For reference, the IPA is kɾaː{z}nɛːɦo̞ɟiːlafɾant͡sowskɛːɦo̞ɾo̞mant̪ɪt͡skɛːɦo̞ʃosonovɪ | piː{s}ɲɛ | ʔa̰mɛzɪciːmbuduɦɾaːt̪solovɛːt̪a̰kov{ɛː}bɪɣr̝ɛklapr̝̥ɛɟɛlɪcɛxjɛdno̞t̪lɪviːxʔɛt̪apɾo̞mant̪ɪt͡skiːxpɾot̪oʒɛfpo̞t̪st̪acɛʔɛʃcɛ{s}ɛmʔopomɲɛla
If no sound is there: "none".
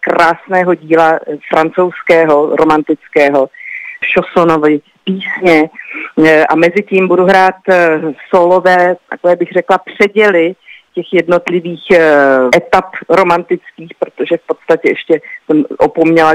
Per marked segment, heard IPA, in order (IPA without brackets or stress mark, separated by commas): s, s, ɛː, s